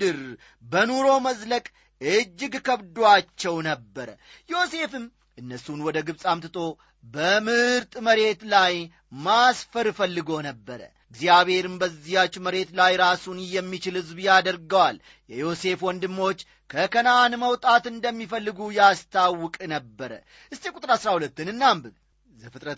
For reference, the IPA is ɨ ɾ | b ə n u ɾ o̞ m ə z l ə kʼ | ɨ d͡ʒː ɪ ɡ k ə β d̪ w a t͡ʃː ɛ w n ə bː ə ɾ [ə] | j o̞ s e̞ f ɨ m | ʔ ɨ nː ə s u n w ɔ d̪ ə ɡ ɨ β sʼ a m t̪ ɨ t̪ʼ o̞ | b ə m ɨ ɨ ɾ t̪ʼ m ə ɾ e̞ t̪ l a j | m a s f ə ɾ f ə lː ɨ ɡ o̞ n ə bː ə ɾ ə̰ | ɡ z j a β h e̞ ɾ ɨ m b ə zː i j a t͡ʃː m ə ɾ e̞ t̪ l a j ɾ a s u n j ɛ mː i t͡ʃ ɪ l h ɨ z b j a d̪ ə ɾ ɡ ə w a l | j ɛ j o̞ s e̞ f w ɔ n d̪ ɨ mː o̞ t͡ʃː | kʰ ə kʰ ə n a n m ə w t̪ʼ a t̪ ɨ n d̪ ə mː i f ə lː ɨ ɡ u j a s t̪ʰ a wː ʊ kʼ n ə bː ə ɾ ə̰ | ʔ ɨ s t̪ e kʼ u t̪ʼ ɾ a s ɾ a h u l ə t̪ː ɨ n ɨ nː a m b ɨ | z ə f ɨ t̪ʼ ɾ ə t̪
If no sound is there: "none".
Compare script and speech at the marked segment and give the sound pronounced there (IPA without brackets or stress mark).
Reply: ə